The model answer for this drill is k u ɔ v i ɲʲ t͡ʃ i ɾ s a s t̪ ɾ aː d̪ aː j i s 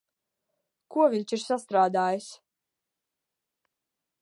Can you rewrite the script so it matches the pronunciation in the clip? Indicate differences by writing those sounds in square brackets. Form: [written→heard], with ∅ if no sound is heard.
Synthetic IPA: k u ɔ v i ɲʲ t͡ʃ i ɾ s a s t̪ ɾ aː d̪ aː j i s